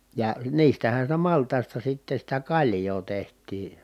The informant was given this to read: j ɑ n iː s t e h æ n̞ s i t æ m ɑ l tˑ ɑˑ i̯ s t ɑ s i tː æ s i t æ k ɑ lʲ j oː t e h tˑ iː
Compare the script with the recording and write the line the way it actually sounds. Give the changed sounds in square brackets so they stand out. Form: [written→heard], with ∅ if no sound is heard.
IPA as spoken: j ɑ n iː s t [e→æ] h æ n̞ s i t æ m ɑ l tˑ ɑˑ i̯ s t ɑ s i tː [æ→e] s i t æ k ɑ lʲ j oː t e h tˑ iː